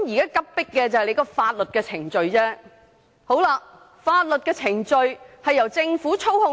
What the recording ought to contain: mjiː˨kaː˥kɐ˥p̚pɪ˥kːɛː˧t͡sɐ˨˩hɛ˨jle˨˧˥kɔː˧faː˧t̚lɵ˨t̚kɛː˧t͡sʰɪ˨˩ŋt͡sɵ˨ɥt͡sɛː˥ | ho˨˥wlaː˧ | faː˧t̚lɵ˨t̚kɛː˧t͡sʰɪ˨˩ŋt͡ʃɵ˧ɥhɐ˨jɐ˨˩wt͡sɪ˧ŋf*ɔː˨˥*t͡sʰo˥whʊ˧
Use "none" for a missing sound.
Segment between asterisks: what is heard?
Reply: uː˨˥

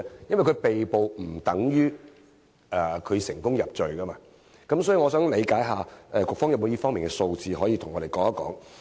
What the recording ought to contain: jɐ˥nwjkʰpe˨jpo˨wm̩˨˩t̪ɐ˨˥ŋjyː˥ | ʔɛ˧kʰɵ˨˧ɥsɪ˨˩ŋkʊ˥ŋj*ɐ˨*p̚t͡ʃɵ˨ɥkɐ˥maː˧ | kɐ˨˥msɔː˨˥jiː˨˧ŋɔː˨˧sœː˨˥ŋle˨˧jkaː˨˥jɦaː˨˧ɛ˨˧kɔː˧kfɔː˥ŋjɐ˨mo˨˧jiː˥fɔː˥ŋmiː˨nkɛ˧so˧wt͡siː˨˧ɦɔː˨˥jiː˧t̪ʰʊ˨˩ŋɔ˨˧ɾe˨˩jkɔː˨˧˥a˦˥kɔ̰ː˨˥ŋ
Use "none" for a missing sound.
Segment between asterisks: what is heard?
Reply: ɐ˨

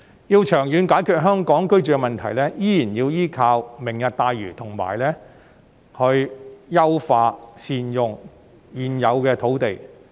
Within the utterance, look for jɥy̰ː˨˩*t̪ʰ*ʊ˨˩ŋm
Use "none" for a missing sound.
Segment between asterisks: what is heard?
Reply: t̪ʰ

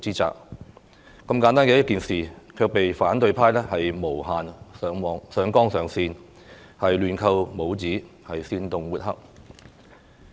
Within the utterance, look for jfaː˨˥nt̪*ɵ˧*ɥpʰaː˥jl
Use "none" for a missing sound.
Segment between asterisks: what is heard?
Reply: ɵ˧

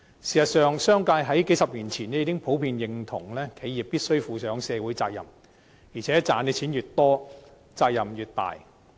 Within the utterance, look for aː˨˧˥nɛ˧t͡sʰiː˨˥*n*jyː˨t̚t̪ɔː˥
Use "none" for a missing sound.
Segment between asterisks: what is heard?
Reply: n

